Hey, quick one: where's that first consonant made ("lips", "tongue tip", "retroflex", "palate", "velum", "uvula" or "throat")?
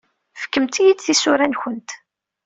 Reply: lips